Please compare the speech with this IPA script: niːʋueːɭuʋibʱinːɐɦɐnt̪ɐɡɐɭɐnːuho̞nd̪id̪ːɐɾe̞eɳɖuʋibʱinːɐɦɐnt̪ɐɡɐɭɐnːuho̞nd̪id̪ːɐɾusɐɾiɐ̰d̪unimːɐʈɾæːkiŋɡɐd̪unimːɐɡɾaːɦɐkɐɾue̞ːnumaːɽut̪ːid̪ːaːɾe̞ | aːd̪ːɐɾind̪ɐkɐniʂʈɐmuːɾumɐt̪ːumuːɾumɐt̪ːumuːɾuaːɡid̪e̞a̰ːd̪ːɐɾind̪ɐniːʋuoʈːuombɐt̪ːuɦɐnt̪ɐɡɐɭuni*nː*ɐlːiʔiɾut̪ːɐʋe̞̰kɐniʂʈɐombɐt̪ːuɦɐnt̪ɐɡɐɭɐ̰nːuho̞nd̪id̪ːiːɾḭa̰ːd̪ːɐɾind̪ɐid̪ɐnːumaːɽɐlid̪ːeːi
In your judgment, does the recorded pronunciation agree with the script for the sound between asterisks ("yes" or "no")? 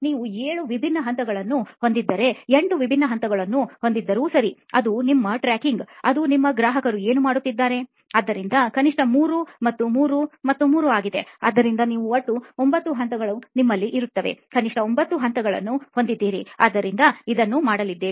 no